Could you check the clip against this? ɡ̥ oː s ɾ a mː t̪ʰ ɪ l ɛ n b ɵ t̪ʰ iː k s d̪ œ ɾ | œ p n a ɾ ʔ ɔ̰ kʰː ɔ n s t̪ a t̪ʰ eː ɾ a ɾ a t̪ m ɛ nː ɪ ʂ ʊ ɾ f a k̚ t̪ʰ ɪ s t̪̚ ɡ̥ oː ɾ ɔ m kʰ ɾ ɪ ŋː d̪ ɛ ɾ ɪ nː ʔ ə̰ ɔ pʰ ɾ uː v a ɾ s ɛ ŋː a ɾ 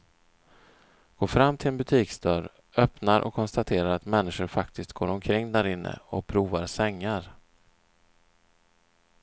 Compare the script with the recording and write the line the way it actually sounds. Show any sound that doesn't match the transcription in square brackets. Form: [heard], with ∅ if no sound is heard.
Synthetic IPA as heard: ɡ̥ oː [f] ɾ a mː t̪ʰ ɪ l ɛ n b ɵ t̪ʰ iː k s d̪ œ ɾ | œ p n a ɾ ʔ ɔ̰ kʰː ɔ n s t̪ a t̪ʰ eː ɾ a ɾ a t̪ m ɛ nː ɪ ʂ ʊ ɾ f a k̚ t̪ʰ ɪ s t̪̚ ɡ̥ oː ɾ ɔ m kʰ ɾ ɪ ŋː d̪ [æ] ɾ ɪ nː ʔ ə̰ ɔ pʰ ɾ uː v a ɾ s ɛ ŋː a ɾ